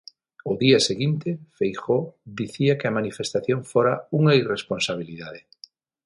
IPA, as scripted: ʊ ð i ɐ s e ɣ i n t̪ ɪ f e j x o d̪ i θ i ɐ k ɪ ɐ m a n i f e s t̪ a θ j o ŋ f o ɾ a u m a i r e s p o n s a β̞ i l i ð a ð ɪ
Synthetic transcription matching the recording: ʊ ð i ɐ s e ɣ i n t̪ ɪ f e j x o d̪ i θ i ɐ k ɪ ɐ m a n i f e s t̪ a θ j o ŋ f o ɾ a u ŋ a i r e s p o n s a β̞ i l i ð a ð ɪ